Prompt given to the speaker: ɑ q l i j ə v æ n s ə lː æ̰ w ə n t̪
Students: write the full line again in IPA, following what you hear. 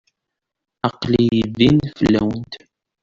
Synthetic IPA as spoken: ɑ q l i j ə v i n f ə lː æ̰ w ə n t̪